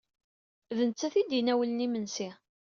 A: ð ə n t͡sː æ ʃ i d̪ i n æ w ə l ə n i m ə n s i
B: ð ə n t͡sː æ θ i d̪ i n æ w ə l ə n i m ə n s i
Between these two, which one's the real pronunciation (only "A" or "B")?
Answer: B